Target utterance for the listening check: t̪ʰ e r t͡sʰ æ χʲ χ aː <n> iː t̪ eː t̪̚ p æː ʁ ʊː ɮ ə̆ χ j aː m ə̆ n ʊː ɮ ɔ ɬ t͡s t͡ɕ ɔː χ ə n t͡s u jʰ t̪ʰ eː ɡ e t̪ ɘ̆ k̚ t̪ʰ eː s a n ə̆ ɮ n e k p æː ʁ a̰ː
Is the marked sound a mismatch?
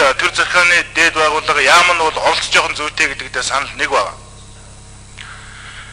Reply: no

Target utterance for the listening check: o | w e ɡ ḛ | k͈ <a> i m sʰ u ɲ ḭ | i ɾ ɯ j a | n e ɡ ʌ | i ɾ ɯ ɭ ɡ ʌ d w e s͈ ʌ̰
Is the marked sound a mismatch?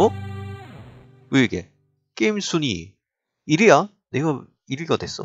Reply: yes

